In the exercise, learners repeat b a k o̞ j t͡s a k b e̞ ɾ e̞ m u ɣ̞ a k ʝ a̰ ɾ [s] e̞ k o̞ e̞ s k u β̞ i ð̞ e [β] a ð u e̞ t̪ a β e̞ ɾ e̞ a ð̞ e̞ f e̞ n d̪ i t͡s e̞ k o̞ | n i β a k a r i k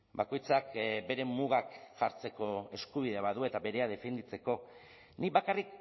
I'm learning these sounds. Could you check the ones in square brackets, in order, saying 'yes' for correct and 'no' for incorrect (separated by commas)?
no, yes